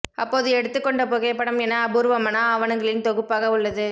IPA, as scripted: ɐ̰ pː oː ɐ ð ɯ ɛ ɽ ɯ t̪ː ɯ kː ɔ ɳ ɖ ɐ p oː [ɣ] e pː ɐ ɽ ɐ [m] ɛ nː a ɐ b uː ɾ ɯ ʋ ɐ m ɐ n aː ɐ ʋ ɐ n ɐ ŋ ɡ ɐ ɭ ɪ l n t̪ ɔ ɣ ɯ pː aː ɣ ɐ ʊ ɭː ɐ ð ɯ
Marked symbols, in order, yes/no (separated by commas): yes, yes